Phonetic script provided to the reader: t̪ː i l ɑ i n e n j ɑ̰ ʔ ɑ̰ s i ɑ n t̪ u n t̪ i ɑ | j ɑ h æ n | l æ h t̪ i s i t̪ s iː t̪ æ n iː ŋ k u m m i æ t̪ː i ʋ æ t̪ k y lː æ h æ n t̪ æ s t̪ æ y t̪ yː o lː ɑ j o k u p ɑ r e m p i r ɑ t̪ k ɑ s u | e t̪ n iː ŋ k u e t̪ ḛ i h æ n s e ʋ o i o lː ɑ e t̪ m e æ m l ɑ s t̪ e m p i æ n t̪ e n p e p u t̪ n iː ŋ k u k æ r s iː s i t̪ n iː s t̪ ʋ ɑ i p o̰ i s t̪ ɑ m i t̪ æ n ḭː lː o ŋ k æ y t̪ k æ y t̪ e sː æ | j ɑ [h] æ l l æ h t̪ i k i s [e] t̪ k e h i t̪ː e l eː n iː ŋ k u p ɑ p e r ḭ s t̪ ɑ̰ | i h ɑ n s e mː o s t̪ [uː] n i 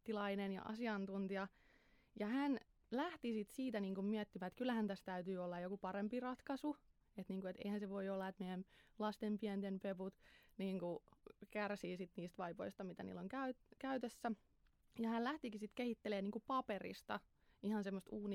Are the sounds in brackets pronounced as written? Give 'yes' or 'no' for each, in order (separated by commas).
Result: yes, no, yes